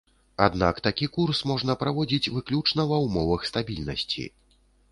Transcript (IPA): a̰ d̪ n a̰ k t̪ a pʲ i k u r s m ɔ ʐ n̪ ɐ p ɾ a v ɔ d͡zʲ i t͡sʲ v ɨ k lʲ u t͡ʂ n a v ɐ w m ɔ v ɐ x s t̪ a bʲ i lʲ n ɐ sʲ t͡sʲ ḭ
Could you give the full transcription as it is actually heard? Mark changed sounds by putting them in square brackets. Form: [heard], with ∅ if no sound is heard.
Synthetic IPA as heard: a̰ d̪ n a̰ k t̪ a [kʲ] i k u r s m ɔ ʐ n̪ ɐ p ɾ a v ɔ d͡zʲ i t͡sʲ v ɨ k lʲ u t͡ʂ n [ɐ] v ɐ w m ɔ v ɐ x s t̪ a bʲ i lʲ n ɐ sʲ t͡sʲ ḭ